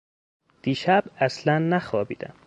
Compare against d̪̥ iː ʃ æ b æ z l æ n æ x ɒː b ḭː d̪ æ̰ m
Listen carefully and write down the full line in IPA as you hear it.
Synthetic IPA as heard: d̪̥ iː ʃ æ b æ s l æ nː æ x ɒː b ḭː d̪ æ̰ m